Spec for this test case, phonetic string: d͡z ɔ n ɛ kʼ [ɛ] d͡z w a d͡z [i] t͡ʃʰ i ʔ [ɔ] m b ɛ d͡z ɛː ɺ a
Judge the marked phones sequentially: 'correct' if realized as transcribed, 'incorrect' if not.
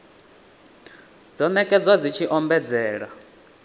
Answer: correct, correct, correct

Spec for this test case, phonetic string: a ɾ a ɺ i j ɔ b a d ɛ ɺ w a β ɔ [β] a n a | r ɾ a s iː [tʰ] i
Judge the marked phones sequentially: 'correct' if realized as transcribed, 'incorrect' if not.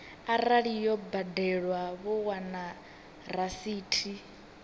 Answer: incorrect, correct

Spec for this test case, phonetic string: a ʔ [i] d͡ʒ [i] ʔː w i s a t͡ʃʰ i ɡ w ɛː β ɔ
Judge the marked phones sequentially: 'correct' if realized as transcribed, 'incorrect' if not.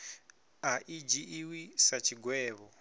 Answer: correct, correct

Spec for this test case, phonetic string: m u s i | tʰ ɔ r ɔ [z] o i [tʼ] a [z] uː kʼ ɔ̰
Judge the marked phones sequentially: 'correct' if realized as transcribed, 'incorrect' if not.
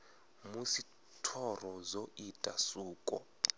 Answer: correct, correct, incorrect

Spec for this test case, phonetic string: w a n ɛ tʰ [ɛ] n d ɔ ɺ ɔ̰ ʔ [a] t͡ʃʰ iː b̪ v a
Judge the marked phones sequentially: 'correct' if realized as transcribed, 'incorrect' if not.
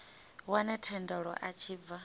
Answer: correct, correct

